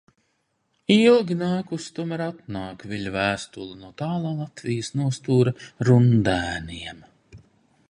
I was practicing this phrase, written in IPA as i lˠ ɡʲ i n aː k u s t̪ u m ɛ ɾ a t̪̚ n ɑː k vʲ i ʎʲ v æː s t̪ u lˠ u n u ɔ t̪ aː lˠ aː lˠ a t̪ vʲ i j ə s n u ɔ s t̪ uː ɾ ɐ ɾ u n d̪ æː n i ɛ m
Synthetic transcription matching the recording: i lˠ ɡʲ i n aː k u s t̪ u m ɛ ɾ a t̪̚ n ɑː k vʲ i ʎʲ v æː s t̪ u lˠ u n u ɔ t̪ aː lˠ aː lˠ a t̪ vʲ i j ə s n u ɔ s t̪ uː ɾ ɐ ɾ u n d̪ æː n i ɛ m